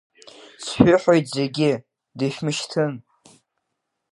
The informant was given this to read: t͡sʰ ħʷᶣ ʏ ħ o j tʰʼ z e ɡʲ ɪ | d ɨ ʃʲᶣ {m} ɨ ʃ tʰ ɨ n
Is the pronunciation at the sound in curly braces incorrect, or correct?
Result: correct